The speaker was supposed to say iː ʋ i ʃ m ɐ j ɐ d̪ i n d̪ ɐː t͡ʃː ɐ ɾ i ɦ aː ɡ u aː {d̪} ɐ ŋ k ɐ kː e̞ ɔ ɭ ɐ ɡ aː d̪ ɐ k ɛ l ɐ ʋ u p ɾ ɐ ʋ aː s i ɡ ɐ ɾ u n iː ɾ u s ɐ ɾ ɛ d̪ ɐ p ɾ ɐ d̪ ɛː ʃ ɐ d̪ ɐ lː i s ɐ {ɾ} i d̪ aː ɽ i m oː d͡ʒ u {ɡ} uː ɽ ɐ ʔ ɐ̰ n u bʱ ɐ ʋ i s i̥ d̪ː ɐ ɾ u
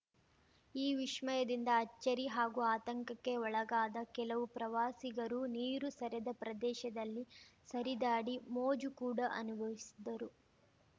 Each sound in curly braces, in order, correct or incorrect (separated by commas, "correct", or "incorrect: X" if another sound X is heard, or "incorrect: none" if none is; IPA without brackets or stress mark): incorrect: t̪, correct, incorrect: k